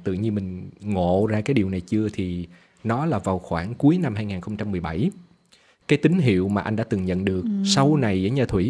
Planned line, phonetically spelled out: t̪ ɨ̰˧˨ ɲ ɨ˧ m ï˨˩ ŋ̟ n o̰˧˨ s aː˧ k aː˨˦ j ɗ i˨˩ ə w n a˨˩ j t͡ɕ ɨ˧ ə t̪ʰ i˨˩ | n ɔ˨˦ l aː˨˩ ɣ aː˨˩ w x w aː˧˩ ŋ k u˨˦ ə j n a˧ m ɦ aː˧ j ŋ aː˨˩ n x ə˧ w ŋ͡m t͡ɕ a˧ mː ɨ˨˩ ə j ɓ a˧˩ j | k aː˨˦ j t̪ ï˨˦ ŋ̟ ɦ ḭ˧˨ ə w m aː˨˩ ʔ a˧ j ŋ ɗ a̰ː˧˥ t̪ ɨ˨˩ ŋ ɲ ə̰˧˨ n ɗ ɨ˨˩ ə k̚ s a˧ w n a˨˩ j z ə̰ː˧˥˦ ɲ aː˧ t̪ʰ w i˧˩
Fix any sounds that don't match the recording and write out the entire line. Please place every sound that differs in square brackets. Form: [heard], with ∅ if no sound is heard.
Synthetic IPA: t̪ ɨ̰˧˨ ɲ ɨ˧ m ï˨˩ ŋ̟ [ŋ] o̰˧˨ [z] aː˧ k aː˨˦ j ɗ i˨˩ ə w n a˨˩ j t͡ɕ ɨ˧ ə t̪ʰ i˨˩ | n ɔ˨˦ l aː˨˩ [v] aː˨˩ w x w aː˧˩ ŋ k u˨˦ ə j n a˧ m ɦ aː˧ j ŋ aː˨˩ n x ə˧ w ŋ͡m t͡ɕ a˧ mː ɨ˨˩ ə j ɓ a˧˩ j | k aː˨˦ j t̪ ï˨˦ ŋ̟ ɦ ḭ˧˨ ə w m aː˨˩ ʔ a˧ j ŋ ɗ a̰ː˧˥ t̪ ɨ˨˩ ŋ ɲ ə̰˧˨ n ɗ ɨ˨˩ ə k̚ s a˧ w n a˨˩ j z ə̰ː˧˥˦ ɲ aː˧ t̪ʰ w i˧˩